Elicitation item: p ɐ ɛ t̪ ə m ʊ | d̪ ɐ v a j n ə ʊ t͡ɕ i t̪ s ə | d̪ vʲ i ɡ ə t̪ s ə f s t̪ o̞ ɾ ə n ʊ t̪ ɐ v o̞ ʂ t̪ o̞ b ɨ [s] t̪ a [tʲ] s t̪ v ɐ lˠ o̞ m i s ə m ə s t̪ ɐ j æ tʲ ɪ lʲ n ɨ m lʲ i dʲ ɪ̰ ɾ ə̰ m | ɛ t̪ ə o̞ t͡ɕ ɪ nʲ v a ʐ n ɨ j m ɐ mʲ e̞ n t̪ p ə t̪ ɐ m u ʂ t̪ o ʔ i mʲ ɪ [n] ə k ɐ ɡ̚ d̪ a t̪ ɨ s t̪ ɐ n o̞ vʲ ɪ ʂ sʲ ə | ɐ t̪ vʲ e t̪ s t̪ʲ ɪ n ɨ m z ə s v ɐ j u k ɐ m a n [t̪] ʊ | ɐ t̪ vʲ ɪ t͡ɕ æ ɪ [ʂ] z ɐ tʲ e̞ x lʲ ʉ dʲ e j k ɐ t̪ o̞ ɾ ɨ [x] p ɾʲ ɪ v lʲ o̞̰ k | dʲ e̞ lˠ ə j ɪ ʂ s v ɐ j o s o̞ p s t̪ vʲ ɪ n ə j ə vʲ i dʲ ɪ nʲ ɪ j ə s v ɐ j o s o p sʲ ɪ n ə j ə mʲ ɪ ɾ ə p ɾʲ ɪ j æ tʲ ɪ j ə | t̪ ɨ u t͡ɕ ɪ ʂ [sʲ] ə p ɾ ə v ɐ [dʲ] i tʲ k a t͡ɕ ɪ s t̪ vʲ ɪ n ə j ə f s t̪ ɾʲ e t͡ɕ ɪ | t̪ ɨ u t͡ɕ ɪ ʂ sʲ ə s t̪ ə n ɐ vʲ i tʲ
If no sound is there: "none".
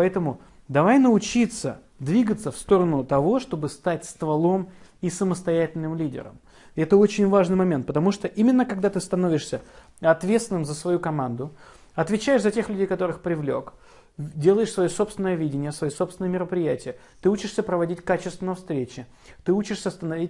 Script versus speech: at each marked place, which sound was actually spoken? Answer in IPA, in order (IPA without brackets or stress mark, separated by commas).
s, tʲ, nː, d̪, ʂ, x, sʲ, dʲ